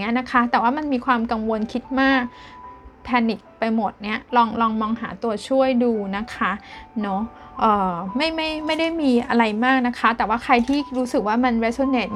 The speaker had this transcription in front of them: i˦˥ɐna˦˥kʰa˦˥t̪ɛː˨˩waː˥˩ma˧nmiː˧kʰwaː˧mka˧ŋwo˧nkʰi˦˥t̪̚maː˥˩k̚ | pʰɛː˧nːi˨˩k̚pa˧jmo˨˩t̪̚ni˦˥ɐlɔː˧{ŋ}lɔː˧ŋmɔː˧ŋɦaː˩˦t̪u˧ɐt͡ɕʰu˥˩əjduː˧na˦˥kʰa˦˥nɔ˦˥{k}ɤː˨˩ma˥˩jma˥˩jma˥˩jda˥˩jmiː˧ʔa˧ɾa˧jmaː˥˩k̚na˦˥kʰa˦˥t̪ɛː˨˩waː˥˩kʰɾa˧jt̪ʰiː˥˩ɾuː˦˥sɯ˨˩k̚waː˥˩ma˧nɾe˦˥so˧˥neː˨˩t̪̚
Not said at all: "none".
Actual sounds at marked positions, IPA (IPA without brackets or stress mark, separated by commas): ŋ, ʔ